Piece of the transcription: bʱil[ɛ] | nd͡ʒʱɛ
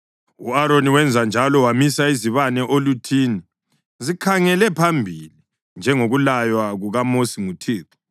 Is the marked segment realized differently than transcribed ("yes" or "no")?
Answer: yes